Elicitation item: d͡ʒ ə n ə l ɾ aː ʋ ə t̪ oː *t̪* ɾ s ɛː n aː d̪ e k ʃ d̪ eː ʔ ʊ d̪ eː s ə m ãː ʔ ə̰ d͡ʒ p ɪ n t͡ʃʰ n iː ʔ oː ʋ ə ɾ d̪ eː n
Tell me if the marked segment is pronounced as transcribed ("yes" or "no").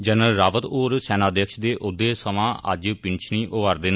no